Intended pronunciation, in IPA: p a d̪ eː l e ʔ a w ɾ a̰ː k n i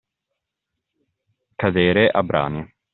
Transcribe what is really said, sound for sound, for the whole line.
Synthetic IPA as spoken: k a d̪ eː ɾ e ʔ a b ɾ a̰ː n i